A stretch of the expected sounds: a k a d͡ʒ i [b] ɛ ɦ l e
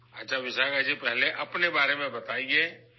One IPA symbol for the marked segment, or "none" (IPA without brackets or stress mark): p